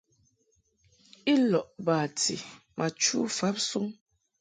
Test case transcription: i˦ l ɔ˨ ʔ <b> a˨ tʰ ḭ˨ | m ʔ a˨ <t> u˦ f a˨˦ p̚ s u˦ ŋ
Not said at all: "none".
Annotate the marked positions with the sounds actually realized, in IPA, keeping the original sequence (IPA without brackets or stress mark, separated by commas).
b, t͡ʃ